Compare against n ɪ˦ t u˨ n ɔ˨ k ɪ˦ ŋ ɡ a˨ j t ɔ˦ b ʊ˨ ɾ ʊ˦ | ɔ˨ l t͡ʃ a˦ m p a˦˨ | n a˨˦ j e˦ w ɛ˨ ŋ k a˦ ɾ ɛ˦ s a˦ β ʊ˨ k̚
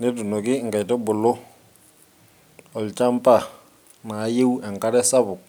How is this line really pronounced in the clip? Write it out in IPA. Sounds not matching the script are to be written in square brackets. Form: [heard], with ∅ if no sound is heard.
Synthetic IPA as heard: n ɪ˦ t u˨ n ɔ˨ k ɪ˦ ŋ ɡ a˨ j t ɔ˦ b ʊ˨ [l] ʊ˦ | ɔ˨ l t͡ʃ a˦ m p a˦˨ | n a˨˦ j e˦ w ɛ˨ ŋ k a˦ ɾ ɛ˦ s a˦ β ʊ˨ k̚